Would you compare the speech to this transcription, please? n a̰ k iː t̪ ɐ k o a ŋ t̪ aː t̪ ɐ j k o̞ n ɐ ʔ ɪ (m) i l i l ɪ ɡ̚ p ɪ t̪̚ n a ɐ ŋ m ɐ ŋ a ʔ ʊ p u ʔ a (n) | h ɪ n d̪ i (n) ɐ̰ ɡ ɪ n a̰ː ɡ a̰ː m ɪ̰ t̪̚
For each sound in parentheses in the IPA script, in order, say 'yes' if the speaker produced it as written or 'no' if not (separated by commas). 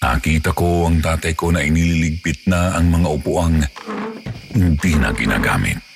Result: no, no, yes